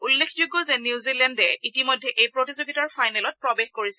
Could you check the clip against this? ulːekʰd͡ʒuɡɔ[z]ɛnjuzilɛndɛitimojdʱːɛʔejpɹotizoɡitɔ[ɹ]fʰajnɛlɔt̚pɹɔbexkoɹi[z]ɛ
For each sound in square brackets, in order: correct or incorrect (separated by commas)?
correct, correct, incorrect